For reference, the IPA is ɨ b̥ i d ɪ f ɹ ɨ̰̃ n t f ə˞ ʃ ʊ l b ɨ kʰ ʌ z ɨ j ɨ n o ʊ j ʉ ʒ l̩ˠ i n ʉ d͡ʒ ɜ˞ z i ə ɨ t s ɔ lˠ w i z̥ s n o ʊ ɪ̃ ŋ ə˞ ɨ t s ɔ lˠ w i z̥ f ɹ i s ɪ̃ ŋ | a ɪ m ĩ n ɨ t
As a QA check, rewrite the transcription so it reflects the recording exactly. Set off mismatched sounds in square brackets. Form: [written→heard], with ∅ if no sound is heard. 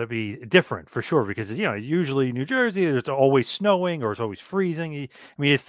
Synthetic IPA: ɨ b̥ i d ɪ f ɹ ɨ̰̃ n t f ə˞ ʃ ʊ [l→ɹ] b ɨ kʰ ʌ z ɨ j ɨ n o ʊ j ʉ ʒ l̩ˠ i n ʉ d͡ʒ ɜ˞ z i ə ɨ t s ɔ lˠ w i z̥ s n o ʊ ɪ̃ ŋ ə˞ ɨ t s ɔ lˠ w i z̥ f ɹ i [s→z] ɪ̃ ŋ | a ɪ m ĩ n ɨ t